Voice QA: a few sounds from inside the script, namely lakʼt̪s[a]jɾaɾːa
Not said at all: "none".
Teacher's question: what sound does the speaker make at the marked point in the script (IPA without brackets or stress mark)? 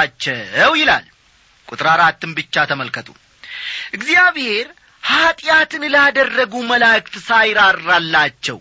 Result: a